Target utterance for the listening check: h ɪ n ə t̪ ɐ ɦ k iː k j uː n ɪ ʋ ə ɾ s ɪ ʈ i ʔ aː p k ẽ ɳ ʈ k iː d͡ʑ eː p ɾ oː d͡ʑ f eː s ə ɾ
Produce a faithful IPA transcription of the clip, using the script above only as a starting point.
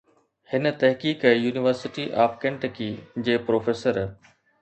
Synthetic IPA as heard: h ɪ n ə t̪ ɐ ɦ k iː k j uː n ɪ ʋ ə ɾ s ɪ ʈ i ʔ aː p k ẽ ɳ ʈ k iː d͡ʑ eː p ɾ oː f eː s ə ɾ